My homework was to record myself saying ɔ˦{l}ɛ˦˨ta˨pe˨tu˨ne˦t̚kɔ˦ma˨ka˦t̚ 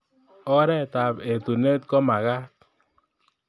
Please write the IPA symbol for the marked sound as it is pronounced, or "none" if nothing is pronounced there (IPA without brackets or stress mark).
ɾ